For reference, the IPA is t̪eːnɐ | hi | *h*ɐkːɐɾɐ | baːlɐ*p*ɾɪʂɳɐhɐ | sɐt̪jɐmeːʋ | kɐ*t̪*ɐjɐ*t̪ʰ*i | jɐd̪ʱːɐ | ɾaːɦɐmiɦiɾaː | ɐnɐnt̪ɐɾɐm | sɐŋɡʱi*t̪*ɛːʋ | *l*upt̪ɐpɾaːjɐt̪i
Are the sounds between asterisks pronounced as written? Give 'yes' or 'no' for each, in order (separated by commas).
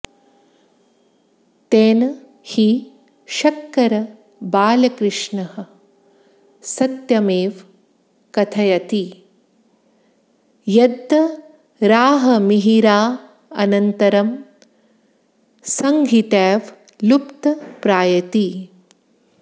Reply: no, no, no, no, yes, yes